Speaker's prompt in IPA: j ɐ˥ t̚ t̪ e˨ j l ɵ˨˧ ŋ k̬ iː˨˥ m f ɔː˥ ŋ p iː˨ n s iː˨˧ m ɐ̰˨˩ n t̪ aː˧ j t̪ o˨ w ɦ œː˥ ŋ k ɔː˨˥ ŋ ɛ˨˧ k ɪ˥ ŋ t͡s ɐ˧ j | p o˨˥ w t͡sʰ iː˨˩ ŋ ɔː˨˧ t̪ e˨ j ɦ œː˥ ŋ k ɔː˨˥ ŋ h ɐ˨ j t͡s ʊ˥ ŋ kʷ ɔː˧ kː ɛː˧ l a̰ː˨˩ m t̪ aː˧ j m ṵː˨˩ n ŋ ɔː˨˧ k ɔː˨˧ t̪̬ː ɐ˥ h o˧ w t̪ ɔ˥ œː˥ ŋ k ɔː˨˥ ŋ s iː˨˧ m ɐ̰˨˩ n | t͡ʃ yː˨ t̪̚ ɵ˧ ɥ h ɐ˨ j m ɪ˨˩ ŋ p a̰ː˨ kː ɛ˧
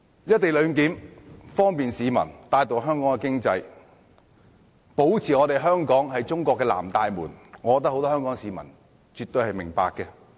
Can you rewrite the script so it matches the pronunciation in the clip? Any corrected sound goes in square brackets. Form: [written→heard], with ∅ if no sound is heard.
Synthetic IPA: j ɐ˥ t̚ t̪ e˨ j l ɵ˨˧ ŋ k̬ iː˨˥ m f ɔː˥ ŋ p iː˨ n s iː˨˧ m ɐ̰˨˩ n t̪ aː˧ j t̪ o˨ w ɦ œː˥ ŋ k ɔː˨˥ ŋ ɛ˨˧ k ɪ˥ ŋ t͡s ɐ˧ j | p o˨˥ w t͡sʰ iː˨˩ ŋ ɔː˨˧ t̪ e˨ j ɦ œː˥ ŋ k ɔː˨˥ ŋ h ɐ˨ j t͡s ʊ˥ ŋ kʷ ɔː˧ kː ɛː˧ l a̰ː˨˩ m t̪ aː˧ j m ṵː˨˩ n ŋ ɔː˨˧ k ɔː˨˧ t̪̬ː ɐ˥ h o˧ w t̪ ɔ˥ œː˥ ŋ k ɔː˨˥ ŋ s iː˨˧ m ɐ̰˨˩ n | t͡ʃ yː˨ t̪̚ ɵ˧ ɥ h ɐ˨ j m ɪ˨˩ ŋ p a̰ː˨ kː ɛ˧